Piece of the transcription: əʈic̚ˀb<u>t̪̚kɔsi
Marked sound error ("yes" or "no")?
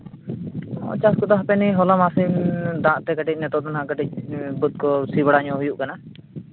no